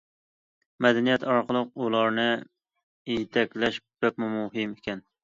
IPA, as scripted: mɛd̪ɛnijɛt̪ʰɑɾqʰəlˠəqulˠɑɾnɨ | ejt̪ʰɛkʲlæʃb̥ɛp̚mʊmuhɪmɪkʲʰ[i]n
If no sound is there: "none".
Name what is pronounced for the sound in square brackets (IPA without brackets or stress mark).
ɛ